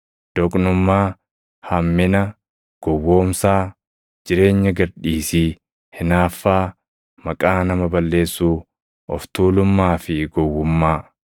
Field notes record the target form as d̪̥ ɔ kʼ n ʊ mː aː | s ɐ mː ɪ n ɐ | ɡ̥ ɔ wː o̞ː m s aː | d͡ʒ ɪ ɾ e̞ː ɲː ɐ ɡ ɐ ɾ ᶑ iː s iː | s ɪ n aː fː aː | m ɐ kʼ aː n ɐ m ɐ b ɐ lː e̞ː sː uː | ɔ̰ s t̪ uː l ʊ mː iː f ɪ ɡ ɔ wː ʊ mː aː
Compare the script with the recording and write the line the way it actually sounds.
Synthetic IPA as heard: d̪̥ ɔ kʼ n ʊ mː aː | h ɐ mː ɪ n ɐ | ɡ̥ ɔ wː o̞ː m s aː | d͡ʒ ɪ ɾ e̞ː ɲː ɐ ɡ ɐ ɾ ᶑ iː s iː | h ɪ n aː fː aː | m ɐ kʼ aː n ɐ m ɐ b ɐ lː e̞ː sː uː | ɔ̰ f t̪ uː l ʊ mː aː f ɪ ɡ ɔ wː ʊ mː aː

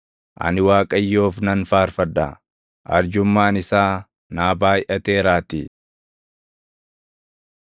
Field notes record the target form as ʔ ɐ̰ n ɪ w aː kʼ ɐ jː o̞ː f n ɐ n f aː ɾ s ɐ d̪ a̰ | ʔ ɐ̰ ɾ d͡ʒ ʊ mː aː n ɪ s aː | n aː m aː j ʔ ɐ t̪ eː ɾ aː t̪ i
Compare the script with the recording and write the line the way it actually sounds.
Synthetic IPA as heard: ʔ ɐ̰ n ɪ w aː kʼ ɐ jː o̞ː f n ɐ n f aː ɾ f ɐ d̪ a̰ | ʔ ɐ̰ ɾ d͡ʒ ʊ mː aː n ɪ s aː | n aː b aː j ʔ ɐ t̪ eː ɾ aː t̪ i

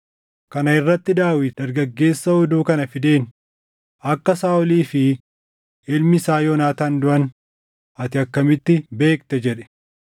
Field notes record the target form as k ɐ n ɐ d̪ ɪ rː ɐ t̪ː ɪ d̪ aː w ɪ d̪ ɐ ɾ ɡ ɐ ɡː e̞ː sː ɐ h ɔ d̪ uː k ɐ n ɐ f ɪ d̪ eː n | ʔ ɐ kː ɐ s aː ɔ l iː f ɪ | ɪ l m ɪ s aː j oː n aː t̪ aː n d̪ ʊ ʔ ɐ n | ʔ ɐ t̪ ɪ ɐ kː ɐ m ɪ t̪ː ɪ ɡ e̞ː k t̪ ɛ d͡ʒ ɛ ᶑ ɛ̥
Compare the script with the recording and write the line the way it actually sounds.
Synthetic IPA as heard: k ɐ n ɐ ɪ rː ɐ t̪ː ɪ d̪ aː w ɪ d̪ ɐ ɾ ɡ ɐ ɡː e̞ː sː ɐ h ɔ d̪ uː k ɐ n ɐ f ɪ d̪ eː n | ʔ ɐ kː ɐ s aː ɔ l iː f ɪ | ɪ l m ɪ s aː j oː n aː t̪ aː n d̪ ʊ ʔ ɐ n | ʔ ɐ t̪ ɪ ɐ kː ɐ m ɪ t̪ː ɪ b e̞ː k t̪ ɛ d͡ʒ ɛ ᶑ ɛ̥

